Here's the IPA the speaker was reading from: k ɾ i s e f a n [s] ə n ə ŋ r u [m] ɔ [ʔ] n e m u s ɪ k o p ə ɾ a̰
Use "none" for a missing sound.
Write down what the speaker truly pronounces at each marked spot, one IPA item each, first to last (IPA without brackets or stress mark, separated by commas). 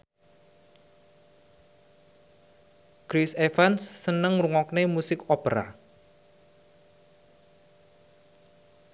sː, ŋ, k